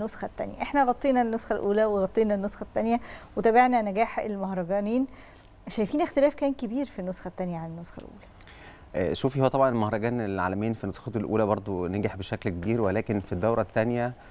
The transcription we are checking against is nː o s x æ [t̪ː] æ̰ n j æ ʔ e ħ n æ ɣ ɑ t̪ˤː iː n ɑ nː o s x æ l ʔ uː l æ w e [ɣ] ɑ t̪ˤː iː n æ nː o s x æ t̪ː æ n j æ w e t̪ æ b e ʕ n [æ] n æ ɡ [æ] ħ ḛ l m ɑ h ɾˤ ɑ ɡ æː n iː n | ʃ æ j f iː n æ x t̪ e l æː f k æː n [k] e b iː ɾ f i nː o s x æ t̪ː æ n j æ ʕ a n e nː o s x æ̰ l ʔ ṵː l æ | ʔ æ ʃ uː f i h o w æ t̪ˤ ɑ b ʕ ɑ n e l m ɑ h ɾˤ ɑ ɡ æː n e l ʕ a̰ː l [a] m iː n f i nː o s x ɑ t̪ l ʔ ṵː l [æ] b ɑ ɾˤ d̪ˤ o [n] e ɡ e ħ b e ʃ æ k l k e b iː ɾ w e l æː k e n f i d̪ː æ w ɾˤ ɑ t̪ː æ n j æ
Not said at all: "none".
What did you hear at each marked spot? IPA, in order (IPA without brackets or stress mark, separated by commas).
t̪ː, ɣ, æ, æː, k, æ, æ, n